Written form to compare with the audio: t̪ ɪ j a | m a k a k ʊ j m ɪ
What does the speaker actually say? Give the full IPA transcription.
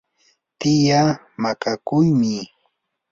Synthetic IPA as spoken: t̪ ɪ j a | m a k a k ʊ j m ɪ